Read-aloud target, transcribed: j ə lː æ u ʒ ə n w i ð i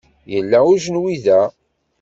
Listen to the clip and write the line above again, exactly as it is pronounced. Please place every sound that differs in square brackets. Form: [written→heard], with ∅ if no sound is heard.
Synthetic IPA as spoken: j ə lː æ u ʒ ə n w i ð [i→æ]